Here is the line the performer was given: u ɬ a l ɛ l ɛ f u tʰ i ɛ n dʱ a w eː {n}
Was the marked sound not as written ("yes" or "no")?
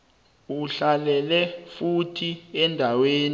no